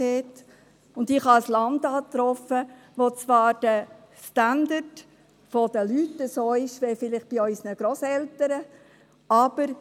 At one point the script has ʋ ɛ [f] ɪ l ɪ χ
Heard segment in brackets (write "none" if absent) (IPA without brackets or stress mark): f